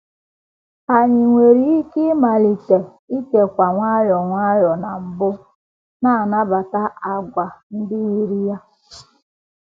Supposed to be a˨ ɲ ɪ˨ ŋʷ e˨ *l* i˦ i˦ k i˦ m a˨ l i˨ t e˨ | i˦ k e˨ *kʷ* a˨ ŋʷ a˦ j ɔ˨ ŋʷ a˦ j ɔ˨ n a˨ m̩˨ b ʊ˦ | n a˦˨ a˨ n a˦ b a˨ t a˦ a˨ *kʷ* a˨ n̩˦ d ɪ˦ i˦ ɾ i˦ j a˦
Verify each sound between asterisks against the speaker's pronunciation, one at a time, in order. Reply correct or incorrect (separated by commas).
incorrect, correct, incorrect